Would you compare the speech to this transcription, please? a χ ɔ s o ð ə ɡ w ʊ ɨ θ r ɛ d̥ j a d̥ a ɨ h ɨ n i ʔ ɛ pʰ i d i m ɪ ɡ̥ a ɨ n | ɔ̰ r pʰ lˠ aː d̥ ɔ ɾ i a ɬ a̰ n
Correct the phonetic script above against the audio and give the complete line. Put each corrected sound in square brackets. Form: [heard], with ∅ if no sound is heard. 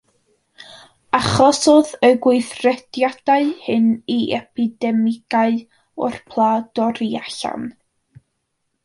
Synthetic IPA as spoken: a χ ɔ s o ð ə ɡ w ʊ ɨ θ r ɛ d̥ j a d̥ a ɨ h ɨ n i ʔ ɛ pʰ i d [ɛ] m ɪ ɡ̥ a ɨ [∅] | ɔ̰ r pʰ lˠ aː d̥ ɔ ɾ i a ɬ a̰ n